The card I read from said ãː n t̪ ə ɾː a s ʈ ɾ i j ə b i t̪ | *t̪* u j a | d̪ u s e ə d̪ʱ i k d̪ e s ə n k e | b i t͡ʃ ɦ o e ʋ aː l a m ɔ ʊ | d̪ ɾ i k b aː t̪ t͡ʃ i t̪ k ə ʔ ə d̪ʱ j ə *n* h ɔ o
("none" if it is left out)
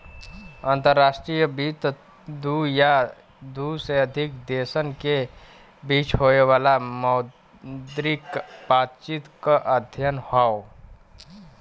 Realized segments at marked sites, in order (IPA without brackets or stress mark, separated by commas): d̪, n